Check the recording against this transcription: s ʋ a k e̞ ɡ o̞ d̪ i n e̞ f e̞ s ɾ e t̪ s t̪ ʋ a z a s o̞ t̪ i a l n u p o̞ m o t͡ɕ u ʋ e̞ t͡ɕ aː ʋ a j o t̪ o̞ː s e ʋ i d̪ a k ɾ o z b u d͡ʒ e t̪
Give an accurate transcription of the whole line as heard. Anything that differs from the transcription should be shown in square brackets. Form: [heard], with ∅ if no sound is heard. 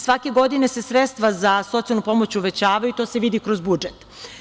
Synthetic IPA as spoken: s ʋ a k e̞ ɡ o̞ d̪ i n e̞ [s] e̞ s ɾ e t̪ s t̪ ʋ a z a s o̞ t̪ i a l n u p o̞ m o t͡ɕ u ʋ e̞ t͡ɕ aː ʋ a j [u] t̪ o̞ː s e ʋ i d̪ [i] k ɾ o z b u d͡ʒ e t̪